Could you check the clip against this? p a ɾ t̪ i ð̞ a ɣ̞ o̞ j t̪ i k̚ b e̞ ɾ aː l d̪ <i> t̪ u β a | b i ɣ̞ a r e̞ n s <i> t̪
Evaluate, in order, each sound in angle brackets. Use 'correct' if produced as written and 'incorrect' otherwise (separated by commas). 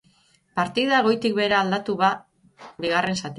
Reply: incorrect, incorrect